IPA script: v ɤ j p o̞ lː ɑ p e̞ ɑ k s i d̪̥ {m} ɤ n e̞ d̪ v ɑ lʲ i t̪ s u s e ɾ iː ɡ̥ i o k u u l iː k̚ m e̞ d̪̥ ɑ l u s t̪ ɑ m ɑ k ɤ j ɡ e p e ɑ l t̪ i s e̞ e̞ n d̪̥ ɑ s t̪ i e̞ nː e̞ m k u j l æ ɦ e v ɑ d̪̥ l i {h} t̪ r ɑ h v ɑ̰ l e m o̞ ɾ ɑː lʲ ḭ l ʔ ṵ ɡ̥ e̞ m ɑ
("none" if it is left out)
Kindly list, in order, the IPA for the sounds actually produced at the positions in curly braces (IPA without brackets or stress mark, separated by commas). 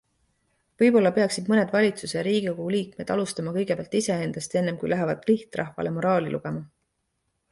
m, h